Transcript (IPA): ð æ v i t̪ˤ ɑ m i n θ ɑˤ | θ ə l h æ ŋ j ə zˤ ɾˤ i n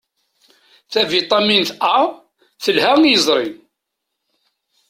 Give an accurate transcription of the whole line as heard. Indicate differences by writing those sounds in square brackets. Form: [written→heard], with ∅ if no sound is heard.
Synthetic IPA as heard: [ð→θ] æ v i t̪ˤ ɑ m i n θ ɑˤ | θ ə l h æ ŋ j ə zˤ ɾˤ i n